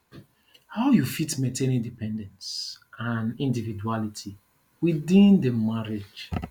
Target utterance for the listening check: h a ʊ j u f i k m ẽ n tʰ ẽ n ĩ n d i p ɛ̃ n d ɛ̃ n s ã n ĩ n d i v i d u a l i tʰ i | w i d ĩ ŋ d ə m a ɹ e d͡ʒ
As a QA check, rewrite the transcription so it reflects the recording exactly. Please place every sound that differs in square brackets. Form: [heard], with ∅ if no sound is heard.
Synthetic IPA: h a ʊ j u f i [t] m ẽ n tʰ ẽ n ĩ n d i p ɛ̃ n d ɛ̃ n s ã n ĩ n d i v i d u a l i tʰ i | w i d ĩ [n] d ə m a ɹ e d͡ʒ